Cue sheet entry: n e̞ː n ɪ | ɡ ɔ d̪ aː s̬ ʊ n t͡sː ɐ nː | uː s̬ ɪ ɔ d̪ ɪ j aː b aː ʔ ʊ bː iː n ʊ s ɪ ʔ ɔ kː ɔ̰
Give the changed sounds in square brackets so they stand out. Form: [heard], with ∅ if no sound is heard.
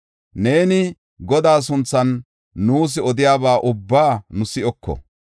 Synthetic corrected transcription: n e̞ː n ɪ | ɡ ɔ d̪ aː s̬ ʊ n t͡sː ɐ nː | uː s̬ ɪ ɔ d̪ ɪ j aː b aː ʔ ʊ bː [aː] n ʊ s ɪ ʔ ɔ kː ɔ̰